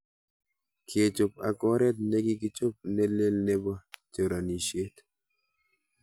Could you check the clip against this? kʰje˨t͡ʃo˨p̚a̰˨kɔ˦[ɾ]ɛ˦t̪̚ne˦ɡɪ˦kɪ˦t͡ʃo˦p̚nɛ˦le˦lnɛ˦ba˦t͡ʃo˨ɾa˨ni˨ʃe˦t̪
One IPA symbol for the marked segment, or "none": ɾ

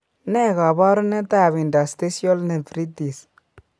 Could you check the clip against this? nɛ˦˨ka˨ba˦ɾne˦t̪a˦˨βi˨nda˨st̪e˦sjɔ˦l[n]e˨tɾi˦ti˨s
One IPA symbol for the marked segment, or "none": n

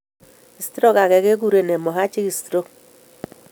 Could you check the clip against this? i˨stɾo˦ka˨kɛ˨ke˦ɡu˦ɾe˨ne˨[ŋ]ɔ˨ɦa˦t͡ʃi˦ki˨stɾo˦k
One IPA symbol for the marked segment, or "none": m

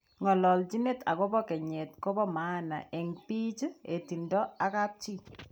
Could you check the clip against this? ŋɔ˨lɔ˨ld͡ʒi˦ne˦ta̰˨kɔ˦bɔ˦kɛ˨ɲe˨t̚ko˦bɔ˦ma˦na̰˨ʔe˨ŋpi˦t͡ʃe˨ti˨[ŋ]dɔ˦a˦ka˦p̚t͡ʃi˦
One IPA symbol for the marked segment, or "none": n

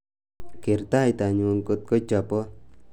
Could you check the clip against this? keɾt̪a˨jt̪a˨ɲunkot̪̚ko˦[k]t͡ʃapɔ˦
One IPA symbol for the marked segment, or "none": none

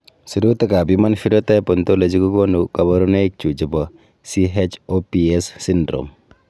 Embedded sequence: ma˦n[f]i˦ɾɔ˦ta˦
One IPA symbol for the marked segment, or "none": f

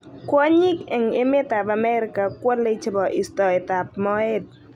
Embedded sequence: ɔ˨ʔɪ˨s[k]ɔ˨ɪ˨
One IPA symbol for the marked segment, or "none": t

